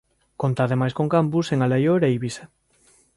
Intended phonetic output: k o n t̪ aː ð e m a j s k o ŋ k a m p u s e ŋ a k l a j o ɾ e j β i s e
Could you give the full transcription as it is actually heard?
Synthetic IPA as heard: k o n t̪ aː ð e m a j s k o ŋ k a m p u s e ŋ a l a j o ɾ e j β i s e